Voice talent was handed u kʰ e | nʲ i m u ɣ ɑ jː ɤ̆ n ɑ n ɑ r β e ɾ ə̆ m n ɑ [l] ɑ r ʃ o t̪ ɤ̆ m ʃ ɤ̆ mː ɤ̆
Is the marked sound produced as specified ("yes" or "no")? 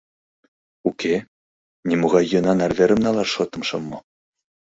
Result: yes